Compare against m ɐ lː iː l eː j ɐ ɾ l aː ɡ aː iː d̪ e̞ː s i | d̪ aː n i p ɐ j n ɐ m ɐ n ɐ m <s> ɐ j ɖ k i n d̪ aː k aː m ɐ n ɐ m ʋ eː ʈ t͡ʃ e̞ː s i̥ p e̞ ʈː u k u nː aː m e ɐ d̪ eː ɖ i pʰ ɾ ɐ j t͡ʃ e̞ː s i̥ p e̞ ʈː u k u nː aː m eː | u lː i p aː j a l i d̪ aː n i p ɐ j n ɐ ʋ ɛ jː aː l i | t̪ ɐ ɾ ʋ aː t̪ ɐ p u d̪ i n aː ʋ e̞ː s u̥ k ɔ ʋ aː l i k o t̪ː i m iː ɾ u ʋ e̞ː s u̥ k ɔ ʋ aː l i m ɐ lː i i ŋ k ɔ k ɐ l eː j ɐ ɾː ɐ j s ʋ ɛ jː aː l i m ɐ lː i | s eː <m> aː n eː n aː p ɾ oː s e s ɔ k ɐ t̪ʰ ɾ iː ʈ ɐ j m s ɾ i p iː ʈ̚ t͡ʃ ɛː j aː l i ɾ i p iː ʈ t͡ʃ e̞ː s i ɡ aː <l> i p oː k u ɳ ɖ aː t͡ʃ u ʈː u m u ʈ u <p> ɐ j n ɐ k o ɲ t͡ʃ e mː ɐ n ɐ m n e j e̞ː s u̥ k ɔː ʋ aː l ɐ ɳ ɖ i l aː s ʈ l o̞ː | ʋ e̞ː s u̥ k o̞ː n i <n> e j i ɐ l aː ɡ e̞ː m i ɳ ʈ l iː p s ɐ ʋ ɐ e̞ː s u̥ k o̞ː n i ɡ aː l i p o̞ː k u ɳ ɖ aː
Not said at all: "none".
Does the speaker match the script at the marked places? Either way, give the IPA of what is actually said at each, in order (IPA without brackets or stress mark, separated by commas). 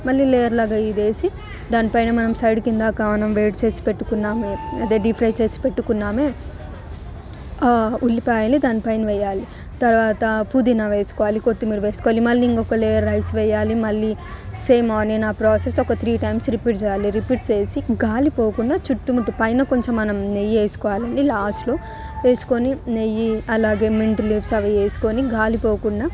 s, m, l, p, n